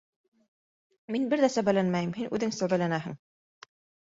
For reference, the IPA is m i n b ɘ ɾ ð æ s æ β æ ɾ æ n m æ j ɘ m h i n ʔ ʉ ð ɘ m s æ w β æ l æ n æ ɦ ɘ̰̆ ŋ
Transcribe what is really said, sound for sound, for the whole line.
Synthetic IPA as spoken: m i n b ɘ ɾ ð æ s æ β æ l æ n m æ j ɘ m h i n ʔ ʉ ð ɘ ŋ s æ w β æ l æ n æ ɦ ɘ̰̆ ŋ